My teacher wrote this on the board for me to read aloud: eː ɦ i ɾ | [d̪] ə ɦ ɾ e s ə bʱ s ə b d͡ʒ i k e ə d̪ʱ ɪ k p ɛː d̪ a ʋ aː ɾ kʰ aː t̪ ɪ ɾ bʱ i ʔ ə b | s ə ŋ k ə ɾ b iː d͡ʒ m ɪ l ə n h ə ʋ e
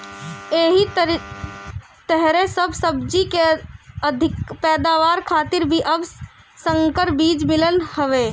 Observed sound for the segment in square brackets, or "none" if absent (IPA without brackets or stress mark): t̪